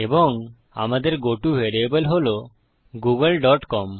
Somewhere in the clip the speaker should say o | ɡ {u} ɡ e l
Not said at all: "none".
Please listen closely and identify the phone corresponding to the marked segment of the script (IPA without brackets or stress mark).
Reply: u